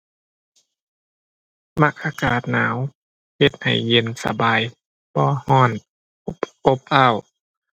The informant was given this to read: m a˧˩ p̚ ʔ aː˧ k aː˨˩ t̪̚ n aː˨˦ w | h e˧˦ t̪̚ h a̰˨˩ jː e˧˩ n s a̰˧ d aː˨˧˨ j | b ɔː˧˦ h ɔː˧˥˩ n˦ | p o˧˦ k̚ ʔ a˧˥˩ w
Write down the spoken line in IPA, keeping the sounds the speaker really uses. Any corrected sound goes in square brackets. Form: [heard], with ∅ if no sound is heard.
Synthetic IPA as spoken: m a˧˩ [k̚] ʔ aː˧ k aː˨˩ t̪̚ n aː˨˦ w | h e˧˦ t̪̚ h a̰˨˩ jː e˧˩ n s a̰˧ [b] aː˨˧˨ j | b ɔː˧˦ h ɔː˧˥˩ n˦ | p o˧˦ [p̚] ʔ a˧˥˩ w